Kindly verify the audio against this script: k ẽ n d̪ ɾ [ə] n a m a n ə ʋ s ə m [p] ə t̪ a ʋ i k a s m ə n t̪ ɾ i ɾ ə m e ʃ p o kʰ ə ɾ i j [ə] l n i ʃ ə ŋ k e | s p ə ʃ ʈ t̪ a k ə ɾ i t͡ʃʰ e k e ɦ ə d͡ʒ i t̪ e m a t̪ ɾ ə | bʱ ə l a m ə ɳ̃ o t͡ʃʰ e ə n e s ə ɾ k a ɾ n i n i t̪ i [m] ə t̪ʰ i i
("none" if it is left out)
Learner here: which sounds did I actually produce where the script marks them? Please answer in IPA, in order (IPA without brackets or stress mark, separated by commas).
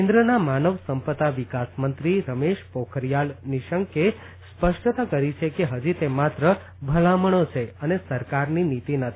ə, p, a, n